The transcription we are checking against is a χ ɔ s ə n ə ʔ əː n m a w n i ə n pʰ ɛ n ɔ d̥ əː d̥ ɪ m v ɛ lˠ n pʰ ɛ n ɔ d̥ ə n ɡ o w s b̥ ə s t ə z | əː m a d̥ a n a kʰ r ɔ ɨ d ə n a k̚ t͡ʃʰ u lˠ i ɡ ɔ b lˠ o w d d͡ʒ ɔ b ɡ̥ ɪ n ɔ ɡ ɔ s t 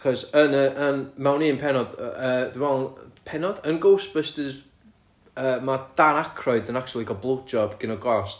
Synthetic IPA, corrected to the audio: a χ ɔ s ə n ə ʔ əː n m a w n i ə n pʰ ɛ n ɔ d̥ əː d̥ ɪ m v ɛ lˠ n pʰ ɛ n ɔ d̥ ə n ɡ o w s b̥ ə s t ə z | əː m a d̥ a n a kʰ r ɔ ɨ d ə n a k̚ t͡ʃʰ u lˠ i ɡ ɔ b lˠ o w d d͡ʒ ɔ b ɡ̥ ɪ n ɔ ɡ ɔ s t